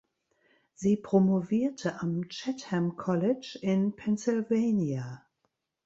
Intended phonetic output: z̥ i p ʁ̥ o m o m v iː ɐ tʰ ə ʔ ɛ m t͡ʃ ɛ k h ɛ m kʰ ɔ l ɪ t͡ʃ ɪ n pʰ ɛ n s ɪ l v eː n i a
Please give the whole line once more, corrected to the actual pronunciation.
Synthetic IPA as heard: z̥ iː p ʁ̥ o m o v iː ɐ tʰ ə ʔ a m t͡ʃ ɛ t h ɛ m kʰ ɔ l ɪ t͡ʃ ɪ n pʰ ɛ n s ɪ l v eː n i a